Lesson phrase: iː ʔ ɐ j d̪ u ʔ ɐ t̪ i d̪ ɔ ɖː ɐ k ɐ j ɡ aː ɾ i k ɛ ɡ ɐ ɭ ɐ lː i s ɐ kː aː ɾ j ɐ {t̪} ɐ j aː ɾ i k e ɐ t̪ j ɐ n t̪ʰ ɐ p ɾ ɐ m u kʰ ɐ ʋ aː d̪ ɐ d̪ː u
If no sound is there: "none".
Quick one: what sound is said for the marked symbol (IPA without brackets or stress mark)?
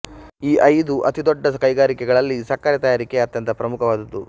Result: t̪